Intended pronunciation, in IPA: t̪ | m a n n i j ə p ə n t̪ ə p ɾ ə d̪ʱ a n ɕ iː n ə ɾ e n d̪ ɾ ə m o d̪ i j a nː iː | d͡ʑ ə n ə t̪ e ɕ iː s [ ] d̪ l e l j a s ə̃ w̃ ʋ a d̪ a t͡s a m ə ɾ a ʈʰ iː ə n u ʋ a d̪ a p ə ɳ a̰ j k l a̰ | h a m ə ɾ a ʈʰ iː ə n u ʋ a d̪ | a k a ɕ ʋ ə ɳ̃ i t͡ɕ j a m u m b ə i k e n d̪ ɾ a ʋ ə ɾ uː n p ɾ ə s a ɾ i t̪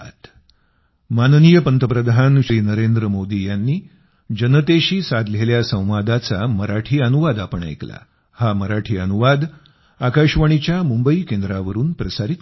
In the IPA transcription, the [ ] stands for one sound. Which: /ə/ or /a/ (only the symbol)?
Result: a